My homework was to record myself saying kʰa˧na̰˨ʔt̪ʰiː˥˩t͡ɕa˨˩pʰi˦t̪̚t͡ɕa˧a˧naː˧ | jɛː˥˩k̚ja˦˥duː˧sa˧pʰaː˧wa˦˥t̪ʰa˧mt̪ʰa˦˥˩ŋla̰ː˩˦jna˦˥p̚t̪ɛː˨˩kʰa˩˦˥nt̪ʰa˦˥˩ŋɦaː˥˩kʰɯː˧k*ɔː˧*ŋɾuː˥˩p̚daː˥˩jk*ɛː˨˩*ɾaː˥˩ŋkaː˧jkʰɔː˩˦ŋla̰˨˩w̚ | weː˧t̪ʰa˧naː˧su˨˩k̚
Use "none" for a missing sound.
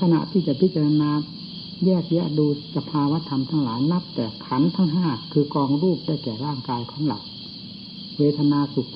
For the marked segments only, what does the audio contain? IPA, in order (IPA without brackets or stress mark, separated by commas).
ɔː˧, ɛː˨˩